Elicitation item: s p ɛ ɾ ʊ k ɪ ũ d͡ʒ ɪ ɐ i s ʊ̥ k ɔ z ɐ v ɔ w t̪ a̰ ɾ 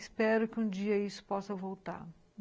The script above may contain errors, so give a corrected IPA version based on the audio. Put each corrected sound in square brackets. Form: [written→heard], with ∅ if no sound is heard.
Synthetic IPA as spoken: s p ɛ ɾ ʊ k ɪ ũ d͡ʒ [ɪ→i] ɐ i s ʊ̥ [k→p] ɔ [z→s] ɐ v [ɔ→o] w t̪ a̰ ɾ